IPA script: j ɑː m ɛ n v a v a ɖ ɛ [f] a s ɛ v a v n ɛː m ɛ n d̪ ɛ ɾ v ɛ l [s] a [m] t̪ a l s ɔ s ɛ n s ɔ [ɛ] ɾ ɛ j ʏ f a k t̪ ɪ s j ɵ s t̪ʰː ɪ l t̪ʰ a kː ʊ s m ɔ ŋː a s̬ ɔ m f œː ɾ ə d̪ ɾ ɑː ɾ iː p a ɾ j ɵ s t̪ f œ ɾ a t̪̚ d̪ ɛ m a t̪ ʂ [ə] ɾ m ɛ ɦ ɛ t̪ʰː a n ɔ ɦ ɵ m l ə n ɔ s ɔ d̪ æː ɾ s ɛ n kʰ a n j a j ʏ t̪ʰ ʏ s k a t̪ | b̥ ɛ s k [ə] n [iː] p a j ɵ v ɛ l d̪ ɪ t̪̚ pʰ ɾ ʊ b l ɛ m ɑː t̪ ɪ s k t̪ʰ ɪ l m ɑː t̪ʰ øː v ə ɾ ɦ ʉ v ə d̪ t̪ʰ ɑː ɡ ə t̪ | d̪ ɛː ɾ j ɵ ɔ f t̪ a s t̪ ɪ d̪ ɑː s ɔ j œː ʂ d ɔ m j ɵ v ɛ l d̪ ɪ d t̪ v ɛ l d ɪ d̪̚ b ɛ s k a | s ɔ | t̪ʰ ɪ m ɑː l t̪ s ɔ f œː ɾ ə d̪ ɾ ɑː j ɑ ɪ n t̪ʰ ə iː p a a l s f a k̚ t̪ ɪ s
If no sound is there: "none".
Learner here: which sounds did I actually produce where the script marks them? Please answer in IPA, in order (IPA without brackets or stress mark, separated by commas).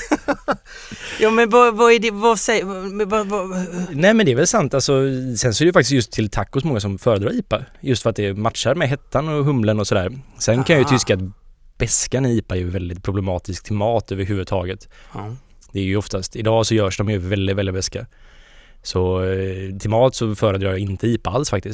v, s, n, ɛ, a, a, iː